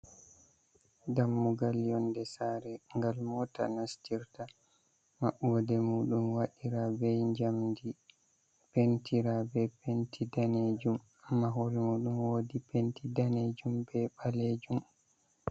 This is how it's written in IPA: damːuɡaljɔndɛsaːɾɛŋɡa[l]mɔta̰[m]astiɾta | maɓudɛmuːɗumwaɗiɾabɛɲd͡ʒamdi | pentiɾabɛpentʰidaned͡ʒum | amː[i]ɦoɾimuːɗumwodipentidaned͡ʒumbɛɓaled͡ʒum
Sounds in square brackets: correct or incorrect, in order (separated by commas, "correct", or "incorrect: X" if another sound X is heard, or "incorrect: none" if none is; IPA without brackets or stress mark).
correct, incorrect: n, incorrect: a